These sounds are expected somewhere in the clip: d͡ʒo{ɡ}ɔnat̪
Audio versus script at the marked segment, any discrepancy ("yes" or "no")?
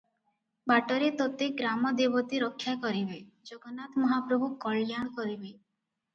no